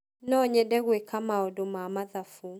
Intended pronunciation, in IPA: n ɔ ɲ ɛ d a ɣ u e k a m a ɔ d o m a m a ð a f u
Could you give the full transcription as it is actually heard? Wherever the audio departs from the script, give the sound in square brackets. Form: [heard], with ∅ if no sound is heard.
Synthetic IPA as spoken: n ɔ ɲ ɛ d [ɛ] ɣ [w] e k a m a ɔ d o m a m a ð a f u